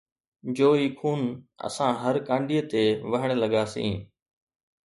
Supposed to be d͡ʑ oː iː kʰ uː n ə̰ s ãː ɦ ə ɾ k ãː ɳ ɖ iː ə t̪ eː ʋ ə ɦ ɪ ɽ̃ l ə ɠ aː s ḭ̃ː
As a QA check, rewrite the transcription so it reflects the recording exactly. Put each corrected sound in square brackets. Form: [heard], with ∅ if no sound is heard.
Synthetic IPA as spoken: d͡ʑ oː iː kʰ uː n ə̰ s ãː ɦ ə ɾ k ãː ɳ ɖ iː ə t̪ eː ʋ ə ɦ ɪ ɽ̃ l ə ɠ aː s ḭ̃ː